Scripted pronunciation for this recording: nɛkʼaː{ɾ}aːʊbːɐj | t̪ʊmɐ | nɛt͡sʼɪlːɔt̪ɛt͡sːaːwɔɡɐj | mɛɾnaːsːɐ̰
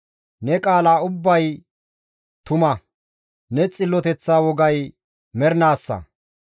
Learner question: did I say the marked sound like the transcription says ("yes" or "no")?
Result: no